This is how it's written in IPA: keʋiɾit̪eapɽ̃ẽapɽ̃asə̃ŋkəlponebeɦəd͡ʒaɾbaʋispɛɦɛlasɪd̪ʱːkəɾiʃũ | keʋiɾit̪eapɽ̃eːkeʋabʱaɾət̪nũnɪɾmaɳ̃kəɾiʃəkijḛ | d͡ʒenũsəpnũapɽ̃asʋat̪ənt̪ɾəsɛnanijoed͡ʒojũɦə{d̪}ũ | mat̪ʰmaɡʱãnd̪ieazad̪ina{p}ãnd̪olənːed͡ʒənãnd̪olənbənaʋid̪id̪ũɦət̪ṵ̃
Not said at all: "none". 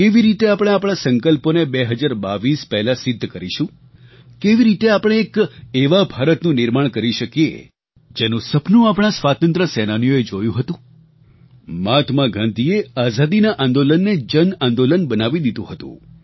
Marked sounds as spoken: t̪, ʔ

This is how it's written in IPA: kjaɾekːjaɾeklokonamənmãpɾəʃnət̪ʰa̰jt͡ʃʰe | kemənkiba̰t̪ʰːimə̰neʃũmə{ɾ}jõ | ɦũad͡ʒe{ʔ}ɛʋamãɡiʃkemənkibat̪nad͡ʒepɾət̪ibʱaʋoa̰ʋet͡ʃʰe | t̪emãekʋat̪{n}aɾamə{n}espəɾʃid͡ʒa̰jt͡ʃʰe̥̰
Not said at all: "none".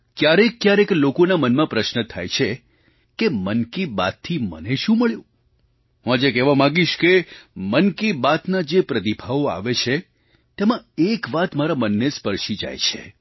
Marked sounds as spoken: ɭ, k, m, nː

